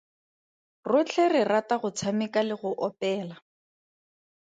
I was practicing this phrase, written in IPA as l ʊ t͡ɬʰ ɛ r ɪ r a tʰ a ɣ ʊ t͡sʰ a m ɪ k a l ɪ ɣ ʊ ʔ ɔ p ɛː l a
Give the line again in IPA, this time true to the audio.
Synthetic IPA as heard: r ʊ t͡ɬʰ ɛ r ɪ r a t a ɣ ʊ t͡sʰ a m ɪ k a l ɪ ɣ ʊ ʔ ɔ p ɛː l a